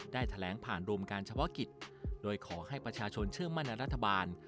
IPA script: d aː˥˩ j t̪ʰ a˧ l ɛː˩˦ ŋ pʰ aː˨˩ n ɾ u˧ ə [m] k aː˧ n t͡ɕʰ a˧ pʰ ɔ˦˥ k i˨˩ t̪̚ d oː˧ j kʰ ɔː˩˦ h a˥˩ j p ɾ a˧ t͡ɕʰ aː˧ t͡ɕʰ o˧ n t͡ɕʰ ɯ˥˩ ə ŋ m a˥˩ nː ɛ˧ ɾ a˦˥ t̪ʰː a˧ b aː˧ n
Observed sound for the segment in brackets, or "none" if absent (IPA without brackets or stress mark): m